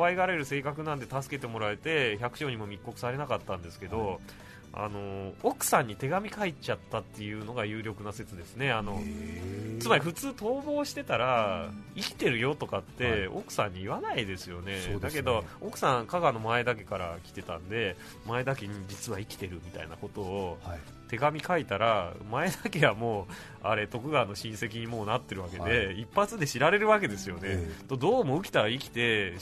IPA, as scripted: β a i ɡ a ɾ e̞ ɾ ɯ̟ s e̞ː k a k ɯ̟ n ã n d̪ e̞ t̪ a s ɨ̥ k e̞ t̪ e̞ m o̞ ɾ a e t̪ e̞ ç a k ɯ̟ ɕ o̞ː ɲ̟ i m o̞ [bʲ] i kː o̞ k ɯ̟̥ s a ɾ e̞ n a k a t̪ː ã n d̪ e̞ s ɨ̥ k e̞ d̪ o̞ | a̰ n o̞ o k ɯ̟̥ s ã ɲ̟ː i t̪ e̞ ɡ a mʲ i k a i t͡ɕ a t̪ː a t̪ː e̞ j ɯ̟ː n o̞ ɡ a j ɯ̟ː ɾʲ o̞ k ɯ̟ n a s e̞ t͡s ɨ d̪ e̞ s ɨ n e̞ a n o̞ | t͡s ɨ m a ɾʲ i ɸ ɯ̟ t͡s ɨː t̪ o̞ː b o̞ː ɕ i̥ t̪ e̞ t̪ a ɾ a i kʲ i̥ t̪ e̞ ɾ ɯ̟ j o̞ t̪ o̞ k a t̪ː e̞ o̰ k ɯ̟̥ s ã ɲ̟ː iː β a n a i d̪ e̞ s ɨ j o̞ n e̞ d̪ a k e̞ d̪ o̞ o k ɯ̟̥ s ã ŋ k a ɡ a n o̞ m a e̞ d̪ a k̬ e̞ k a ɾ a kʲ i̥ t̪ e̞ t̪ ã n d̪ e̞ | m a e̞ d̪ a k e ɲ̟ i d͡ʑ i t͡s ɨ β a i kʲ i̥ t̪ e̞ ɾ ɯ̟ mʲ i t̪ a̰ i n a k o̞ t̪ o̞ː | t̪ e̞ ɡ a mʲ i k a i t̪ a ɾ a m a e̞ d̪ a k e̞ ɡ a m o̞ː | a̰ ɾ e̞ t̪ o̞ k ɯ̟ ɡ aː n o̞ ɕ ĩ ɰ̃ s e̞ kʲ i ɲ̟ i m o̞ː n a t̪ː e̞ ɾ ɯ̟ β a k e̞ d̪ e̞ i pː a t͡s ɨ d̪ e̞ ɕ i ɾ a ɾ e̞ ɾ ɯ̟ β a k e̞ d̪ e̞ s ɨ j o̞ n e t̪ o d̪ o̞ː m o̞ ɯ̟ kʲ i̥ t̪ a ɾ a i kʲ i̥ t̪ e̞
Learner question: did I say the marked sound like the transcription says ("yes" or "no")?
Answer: no